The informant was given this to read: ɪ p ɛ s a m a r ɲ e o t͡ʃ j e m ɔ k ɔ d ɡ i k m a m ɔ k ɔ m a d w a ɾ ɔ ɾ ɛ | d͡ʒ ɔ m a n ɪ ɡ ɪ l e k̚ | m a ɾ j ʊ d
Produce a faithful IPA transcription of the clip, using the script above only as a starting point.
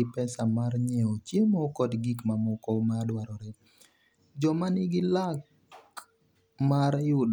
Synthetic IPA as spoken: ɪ p ɛ s a m a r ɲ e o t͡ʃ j e m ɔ k ɔ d ɡ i k m a m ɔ k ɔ m a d w a ɾ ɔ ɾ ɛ | d͡ʒ ɔ m a n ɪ ɡ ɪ l a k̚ | m a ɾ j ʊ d